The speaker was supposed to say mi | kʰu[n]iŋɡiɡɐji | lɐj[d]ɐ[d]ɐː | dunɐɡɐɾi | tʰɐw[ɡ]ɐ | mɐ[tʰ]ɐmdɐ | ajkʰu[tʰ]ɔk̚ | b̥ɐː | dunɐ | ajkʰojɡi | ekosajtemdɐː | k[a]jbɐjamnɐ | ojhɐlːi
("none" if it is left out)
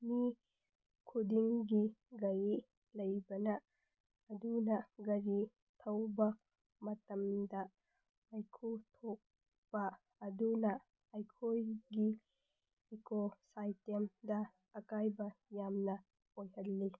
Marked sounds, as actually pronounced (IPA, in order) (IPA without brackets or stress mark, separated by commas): d, b, n, b, t, tʰ, a